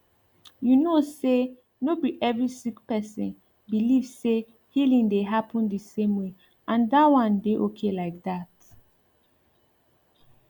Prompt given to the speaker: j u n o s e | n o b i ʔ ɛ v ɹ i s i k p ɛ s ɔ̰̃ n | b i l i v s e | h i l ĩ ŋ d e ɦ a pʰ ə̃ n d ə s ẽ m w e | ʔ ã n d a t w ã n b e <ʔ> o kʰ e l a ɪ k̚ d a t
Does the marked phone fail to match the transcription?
no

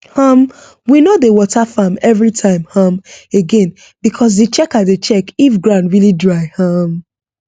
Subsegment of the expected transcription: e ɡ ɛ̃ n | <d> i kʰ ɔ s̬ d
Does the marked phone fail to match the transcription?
yes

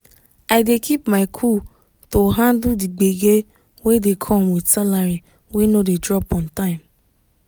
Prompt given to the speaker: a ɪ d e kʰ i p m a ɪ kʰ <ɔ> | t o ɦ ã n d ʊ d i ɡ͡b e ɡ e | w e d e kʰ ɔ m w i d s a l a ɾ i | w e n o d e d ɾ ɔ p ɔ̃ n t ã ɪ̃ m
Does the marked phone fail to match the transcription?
yes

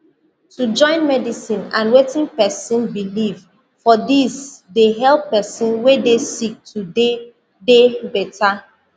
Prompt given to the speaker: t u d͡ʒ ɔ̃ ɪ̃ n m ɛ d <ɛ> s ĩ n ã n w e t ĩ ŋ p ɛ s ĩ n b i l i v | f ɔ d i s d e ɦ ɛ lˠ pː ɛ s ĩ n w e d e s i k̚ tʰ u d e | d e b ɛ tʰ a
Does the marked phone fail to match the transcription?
yes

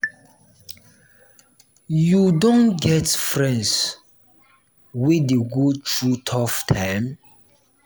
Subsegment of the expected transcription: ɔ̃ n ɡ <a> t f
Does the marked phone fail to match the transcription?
yes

